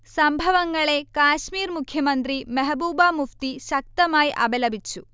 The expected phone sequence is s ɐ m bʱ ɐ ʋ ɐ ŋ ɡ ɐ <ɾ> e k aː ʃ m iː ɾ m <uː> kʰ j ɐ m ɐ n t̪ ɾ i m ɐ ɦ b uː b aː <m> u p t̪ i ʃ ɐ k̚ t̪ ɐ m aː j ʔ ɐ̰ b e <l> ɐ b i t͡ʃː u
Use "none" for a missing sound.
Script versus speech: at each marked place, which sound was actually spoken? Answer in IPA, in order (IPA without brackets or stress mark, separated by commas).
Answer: ɭ, u, m, l